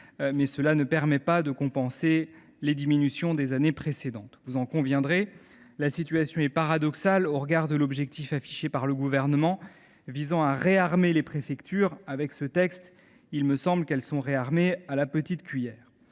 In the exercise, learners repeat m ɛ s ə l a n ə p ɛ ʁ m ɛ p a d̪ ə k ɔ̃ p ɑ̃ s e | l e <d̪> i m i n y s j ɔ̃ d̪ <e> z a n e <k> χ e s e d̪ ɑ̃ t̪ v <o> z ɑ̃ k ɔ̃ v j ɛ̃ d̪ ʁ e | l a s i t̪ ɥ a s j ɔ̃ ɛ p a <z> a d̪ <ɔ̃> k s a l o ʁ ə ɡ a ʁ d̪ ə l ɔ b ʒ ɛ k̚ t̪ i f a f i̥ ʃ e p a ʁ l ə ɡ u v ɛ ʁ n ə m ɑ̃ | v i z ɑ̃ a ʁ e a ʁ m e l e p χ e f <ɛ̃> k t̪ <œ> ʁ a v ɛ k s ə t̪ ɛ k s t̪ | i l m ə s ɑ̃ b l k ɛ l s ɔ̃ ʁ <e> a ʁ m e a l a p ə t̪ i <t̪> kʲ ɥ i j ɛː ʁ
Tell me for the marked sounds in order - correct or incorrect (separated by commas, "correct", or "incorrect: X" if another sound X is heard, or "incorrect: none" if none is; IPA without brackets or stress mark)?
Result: correct, correct, incorrect: p, incorrect: u, incorrect: ʁ, incorrect: ɔ, incorrect: ɛ, incorrect: y, correct, correct